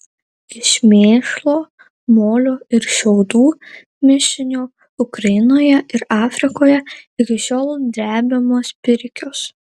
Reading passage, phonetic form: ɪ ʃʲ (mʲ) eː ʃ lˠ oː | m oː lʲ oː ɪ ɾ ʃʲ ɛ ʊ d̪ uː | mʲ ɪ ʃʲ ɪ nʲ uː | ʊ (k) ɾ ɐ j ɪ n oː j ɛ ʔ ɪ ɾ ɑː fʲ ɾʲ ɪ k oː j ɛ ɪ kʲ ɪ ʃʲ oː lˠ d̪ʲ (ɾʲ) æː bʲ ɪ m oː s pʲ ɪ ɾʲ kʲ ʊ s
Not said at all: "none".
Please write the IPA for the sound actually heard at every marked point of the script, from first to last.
mʲ, k, ɾʲ

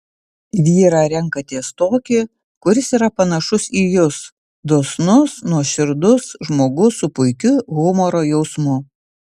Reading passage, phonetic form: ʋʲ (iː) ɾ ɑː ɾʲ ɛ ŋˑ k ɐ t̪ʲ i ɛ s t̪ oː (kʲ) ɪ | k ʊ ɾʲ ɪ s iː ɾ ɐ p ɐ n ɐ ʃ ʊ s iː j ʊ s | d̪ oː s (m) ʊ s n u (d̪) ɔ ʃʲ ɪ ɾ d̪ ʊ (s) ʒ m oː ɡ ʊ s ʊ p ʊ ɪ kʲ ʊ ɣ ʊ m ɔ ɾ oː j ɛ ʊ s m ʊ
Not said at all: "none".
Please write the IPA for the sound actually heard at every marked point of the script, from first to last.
iː, kʲ, n, none, s

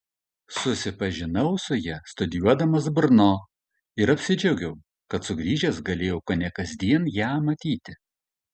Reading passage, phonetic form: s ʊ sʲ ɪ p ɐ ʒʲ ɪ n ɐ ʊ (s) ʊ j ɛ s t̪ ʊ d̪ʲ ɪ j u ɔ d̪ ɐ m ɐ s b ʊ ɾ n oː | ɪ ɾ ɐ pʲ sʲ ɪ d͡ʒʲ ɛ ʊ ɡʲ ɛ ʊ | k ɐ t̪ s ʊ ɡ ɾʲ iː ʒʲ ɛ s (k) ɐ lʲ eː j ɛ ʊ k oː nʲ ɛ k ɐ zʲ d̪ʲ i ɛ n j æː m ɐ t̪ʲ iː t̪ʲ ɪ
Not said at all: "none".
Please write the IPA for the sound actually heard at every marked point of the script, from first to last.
s, ɡ

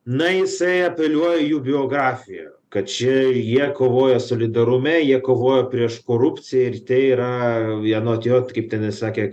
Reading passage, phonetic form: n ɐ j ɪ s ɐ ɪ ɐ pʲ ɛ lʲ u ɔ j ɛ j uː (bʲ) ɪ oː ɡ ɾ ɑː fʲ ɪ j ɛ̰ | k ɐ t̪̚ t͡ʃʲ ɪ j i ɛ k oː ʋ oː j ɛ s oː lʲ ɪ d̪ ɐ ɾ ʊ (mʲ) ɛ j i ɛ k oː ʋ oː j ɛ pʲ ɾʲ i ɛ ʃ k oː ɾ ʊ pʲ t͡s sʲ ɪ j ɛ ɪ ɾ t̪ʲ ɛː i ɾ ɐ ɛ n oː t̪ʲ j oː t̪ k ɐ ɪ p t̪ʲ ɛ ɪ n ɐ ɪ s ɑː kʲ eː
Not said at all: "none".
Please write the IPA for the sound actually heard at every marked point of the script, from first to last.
bʲ, mʲ

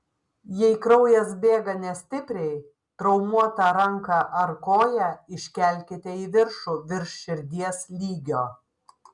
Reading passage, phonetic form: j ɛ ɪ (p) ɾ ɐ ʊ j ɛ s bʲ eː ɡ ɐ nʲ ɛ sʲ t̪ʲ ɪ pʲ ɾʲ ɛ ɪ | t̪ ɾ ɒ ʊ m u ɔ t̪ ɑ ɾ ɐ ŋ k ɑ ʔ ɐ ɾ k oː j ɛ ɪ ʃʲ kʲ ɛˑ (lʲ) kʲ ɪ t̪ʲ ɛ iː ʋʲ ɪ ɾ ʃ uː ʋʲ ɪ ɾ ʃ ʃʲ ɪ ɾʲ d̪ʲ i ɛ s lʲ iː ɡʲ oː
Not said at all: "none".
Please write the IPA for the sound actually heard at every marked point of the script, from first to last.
k, lʲ

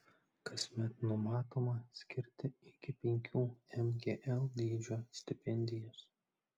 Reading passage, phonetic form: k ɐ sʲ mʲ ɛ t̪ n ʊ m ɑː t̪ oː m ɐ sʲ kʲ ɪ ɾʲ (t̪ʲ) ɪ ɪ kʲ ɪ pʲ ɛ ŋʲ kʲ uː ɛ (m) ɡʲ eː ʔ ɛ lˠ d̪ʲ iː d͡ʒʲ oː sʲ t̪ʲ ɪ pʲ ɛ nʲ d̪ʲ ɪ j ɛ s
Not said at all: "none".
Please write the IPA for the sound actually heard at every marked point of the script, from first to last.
t̪ʲ, m

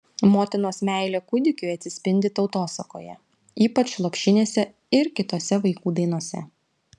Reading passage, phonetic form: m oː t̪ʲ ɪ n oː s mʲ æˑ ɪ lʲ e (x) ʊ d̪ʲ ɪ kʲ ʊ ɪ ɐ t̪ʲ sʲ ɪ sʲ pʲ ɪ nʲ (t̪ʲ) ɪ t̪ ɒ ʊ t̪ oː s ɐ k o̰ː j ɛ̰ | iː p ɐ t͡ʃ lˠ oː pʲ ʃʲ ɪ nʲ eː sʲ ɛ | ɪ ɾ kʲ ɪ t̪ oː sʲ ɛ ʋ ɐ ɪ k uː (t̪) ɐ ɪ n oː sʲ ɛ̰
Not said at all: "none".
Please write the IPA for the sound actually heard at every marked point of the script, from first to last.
k, d̪ʲ, d̪

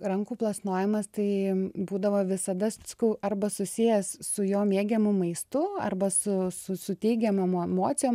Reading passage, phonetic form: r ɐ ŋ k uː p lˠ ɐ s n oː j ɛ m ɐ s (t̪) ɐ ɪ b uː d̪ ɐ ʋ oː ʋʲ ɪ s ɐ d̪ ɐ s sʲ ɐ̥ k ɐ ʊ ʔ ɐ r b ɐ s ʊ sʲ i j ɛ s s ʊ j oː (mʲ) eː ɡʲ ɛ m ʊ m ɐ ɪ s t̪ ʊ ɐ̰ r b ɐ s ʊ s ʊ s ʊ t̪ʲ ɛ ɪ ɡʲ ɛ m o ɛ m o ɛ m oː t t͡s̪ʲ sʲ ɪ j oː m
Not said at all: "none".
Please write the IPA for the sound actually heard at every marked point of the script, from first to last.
t̪, mʲ

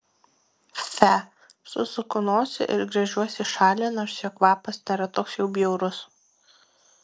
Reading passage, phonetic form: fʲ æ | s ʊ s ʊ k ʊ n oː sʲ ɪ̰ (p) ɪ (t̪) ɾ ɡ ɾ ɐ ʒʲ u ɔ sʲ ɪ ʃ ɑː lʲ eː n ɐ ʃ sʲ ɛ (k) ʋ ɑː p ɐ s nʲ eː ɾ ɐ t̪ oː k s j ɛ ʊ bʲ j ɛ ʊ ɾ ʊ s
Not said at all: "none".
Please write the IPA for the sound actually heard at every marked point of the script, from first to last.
ʔ, none, k

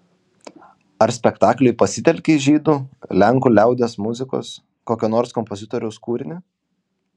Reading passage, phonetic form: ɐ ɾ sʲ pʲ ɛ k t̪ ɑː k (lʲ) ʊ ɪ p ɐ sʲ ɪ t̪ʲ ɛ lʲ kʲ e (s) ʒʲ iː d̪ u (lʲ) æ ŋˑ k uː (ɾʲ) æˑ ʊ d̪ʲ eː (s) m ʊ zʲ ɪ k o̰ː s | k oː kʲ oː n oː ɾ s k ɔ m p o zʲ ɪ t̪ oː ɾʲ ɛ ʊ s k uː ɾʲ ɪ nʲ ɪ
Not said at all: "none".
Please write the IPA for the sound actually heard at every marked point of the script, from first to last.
lʲ, none, lʲ, lʲ, s

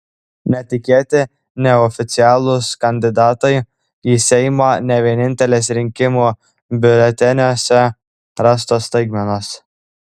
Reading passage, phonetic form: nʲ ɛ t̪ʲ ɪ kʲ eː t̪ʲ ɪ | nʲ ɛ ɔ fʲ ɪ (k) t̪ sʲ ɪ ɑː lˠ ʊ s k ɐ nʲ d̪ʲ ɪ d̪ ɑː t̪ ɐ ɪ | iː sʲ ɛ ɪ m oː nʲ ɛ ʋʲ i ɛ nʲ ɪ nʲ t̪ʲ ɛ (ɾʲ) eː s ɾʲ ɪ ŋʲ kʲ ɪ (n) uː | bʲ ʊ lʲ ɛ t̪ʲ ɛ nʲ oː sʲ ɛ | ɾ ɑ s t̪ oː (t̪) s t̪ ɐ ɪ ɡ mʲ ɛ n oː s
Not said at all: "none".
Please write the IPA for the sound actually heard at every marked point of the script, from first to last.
none, lʲ, m, none

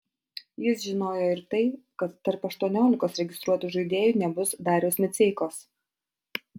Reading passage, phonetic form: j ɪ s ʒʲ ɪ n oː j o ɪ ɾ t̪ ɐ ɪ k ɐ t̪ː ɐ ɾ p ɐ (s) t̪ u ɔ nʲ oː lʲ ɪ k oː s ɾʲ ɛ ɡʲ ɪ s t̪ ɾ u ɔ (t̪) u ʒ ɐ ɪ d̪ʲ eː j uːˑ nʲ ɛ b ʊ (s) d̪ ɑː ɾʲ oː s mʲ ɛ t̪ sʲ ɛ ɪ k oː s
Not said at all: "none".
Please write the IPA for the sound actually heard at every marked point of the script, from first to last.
ʃ, t̪, s

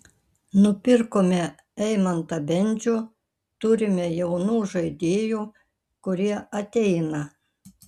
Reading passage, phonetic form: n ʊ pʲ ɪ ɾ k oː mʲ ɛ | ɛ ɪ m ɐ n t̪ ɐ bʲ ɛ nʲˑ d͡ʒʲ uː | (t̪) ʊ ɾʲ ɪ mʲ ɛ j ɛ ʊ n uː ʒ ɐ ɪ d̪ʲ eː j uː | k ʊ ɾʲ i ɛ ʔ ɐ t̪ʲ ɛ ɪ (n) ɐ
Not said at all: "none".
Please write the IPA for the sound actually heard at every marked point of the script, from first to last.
t̪, n

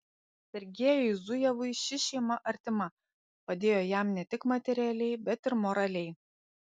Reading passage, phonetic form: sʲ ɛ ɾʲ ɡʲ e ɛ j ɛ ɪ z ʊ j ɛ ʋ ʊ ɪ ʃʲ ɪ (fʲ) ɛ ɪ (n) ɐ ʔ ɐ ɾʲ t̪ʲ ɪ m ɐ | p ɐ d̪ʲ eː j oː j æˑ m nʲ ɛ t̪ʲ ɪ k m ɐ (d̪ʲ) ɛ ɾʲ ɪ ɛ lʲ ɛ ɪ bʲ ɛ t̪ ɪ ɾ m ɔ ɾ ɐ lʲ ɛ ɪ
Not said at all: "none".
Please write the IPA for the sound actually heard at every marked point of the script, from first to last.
ʃʲ, m, t̪ʲ

